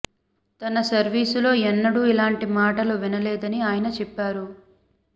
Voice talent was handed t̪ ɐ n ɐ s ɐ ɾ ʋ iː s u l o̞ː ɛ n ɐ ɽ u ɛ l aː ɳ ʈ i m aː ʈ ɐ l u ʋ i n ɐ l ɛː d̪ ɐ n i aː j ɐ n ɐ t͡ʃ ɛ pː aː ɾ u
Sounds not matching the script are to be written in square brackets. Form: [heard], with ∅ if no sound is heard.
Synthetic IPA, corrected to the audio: t̪ ɐ n ɐ s ɐ ɾ ʋ iː s u l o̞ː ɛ [nː] ɐ ɽ u [i] l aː ɳ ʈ i m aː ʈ ɐ l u ʋ i n ɐ l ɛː d̪ ɐ n i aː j ɐ n ɐ t͡ʃ ɛ pː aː ɾ u

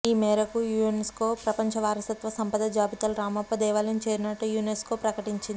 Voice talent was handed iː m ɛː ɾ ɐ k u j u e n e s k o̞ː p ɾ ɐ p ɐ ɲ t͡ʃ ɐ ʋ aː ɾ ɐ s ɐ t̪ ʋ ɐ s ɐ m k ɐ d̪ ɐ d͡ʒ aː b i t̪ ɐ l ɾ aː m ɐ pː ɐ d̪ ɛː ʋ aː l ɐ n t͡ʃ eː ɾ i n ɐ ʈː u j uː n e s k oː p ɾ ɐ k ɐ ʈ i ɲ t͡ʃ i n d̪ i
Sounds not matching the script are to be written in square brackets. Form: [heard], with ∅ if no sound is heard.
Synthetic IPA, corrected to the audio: iː m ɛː ɾ ɐ k u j u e n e s k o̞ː p ɾ ɐ p ɐ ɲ t͡ʃ ɐ ʋ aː ɾ ɐ s ɐ t̪ ʋ ɐ s ɐ m [p] ɐ d̪ ɐ d͡ʒ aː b i t̪ ɐ l ɾ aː m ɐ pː ɐ d̪ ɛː ʋ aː l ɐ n t͡ʃ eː ɾ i n ɐ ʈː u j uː n e s k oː p ɾ ɐ k ɐ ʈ i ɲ t͡ʃ i n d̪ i

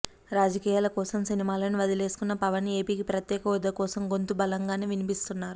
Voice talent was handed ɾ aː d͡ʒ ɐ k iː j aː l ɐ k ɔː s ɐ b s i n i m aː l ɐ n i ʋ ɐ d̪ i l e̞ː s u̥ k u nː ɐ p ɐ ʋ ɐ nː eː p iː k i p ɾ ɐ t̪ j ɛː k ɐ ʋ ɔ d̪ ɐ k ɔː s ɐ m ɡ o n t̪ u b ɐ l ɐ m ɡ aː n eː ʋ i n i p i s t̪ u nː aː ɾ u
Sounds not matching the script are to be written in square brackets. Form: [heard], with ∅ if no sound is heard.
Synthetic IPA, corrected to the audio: ɾ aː d͡ʒ ɐ k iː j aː l ɐ k ɔː s ɐ [m] s i n i m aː l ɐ n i ʋ ɐ d̪ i l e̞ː s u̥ k u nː ɐ p ɐ ʋ ɐ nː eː p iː k i p ɾ ɐ t̪ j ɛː k ɐ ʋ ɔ d̪ ɐ k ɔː s ɐ m ɡ o n t̪ u b ɐ l ɐ [ŋ] ɡ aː n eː ʋ i n i p i s t̪ u nː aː ɾ u

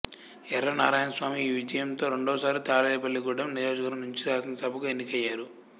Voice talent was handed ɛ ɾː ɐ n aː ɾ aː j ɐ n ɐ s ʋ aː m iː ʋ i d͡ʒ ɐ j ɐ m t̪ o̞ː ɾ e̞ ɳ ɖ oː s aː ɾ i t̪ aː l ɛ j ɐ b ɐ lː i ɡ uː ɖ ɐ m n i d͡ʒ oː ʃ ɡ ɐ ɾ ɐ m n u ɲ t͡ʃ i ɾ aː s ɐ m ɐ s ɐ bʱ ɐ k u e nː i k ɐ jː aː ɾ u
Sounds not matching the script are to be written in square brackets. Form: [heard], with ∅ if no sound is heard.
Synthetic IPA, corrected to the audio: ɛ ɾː ɐ n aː ɾ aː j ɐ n ɐ s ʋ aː m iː ʋ i d͡ʒ ɐ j ɐ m t̪ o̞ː ɾ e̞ ɳ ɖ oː s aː ɾ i t̪ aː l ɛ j ɐ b ɐ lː i ɡ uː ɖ ɐ m n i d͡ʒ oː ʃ ɡ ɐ ɾ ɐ m n u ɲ t͡ʃ i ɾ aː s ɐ [n] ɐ s ɐ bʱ ɐ k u e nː i k ɐ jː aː ɾ u

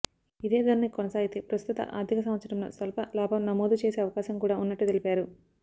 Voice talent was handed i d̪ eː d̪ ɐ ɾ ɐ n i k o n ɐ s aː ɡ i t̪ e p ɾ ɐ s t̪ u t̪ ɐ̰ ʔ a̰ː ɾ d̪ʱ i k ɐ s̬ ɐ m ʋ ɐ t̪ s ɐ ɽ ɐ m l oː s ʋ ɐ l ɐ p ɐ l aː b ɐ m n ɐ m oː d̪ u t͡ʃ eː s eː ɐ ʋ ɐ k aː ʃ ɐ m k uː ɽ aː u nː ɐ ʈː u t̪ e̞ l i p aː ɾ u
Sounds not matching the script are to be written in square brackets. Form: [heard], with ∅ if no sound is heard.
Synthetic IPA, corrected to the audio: i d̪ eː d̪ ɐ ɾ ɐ n i k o n ɐ s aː ɡ i t̪ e p ɾ ɐ s t̪ u t̪ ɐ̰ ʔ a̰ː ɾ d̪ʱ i k ɐ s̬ ɐ m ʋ ɐ t̪ s ɐ ɽ ɐ m l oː s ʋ ɐ l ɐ p ɐ l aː b ɐ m n ɐ m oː d̪ u t͡ʃ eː s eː ɐ ʋ ɐ k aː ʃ ɐ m k uː ɽ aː u nː ɐ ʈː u t̪ e̞ l i p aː ɾ u

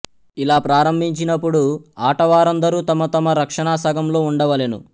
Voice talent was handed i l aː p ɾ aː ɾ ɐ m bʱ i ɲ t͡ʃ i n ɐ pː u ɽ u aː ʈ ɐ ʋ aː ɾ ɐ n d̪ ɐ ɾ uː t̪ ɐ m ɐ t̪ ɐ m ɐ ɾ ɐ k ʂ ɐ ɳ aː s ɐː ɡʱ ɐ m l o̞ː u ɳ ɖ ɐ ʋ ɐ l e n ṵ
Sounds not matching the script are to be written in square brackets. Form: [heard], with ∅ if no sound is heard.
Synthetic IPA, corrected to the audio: i l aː p ɾ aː ɾ ɐ m bʱ i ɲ t͡ʃ i n ɐ pː u ɽ u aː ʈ ɐ ʋ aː ɾ ɐ n d̪ ɐ ɾ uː t̪ ɐ m ɐ t̪ ɐ m ɐ ɾ ɐ k ʂ ɐ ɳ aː s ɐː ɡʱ ɐ m l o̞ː u ɳ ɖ ɐ ʋ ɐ l e n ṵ

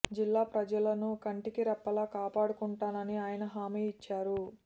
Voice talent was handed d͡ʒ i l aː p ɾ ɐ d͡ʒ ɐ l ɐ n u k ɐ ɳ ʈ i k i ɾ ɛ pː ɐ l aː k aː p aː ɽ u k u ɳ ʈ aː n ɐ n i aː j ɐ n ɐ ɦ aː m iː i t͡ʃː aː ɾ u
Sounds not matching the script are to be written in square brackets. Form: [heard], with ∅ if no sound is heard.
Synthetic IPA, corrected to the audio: d͡ʒ i [lː] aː p ɾ ɐ d͡ʒ ɐ l ɐ n u k ɐ ɳ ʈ i k i ɾ ɛ pː ɐ l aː k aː p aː ɽ u k u ɳ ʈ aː n ɐ n i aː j ɐ n ɐ ɦ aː m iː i t͡ʃː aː ɾ u

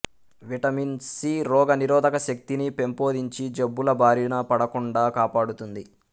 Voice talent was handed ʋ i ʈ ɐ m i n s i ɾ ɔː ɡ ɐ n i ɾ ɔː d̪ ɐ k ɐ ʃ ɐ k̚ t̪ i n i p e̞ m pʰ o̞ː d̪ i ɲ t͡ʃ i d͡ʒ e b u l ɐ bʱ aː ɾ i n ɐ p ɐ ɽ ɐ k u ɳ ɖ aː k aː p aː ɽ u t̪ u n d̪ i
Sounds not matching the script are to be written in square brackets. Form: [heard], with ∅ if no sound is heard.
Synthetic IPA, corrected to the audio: ʋ i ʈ ɐ m i n s i ɾ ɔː ɡ ɐ n i ɾ ɔː d̪ ɐ k ɐ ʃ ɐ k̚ t̪ i n i p e̞ m [p] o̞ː d̪ i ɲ t͡ʃ i d͡ʒ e [bː] u l ɐ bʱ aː ɾ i n ɐ p ɐ ɽ ɐ k u ɳ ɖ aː k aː p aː ɽ u t̪ u n d̪ i

